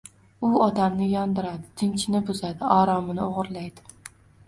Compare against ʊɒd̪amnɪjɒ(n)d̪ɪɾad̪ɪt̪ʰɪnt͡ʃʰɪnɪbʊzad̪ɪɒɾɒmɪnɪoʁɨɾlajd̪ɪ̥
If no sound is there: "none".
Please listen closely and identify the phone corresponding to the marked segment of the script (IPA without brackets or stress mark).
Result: n